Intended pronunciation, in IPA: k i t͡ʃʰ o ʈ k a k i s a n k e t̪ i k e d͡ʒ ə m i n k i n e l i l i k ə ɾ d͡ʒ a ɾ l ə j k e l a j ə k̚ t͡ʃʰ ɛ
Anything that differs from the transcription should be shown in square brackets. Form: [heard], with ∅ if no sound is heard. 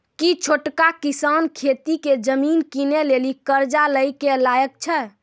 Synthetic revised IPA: k i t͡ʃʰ o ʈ k a k i s a n [kʰ] e t̪ i k e d͡ʒ ə m i n k i n e l [e] l i k ə ɾ d͡ʒ a [∅] l ə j k e l a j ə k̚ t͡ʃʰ ɛ